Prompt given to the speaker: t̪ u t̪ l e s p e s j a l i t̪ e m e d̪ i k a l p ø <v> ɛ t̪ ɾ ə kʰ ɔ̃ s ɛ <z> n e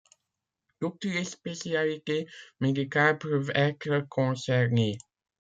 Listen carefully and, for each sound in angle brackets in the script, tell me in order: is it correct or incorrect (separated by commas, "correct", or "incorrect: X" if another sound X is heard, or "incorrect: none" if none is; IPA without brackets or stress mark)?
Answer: correct, incorrect: ʁ